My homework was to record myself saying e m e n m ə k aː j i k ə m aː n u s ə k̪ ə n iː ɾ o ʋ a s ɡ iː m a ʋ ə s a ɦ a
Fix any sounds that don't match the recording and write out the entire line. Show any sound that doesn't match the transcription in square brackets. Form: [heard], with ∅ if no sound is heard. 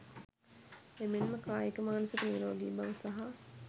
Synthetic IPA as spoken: e m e n m ə k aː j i k ə m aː n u s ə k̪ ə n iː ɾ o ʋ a [∅] ɡ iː [b] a ʋ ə s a ɦ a

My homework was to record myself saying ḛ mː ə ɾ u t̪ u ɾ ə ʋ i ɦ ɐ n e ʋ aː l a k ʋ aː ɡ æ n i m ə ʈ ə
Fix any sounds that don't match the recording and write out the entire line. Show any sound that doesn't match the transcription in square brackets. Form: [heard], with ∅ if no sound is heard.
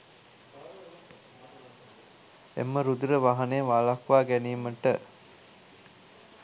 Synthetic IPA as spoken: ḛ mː ə ɾ u [d̪] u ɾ ə ʋ [a] ɦ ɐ n e ʋ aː l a k ʋ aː ɡ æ n [iː] m ə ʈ ə

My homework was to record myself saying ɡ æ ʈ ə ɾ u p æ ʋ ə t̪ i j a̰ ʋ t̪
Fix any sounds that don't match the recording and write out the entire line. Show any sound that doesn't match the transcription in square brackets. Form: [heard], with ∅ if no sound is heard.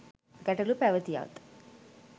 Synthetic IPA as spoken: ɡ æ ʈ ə [l] u p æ ʋ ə t̪ i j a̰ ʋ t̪

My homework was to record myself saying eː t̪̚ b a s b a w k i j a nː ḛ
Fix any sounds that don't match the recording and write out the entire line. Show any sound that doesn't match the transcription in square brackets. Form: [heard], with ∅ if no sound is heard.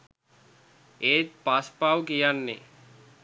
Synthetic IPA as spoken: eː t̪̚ [p] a s [p] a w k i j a nː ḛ

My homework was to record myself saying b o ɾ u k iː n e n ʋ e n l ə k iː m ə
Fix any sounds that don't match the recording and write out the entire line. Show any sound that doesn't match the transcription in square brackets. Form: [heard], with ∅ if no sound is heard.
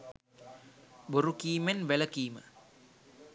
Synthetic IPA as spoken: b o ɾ u k iː [m] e n ʋ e [∅] l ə k iː m ə

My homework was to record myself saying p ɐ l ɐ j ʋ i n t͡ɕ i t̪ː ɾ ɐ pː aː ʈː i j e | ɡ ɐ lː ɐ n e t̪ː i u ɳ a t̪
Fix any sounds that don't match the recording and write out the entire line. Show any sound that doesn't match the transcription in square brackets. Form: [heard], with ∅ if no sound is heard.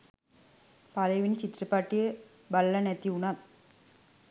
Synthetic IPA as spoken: p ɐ l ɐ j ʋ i n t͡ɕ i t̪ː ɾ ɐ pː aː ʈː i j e | [b] ɐ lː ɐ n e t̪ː i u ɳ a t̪

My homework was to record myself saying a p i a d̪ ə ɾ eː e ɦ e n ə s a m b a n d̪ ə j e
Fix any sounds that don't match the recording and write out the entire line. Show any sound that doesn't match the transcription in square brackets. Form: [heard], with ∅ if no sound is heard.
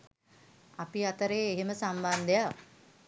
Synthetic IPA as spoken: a p i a [t̪] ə ɾ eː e ɦ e [m] ə s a m b a n d̪ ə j [a]

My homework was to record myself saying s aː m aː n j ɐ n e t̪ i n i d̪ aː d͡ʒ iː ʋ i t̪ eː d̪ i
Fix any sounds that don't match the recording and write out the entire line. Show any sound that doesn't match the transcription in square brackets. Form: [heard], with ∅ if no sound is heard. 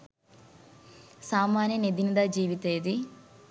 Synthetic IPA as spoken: s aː m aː n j ɐ n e [d̪] i n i d̪ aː d͡ʒ iː ʋ i t̪ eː d̪ i

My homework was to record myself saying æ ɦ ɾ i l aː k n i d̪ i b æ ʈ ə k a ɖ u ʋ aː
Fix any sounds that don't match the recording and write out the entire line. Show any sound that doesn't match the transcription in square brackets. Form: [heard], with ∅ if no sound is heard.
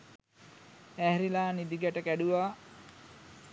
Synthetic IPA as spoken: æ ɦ ɾ i l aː [∅] n i d̪ i [ɡ] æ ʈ ə k [æ] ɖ u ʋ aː

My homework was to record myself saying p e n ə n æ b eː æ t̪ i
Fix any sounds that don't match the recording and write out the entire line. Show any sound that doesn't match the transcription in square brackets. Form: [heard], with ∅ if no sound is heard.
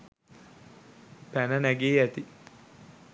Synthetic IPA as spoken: p [æ] n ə n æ [ɡ] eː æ t̪ i

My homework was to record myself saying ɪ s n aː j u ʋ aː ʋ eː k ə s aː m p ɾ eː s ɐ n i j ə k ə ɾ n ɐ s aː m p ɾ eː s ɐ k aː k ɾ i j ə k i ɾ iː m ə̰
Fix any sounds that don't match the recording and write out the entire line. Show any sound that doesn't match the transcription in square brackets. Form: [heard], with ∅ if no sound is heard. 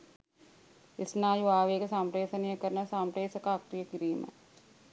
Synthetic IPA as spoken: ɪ s n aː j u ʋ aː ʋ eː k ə s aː m p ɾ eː s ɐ n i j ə k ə ɾ n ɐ s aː m p ɾ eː s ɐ k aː k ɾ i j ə k i ɾ iː m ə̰

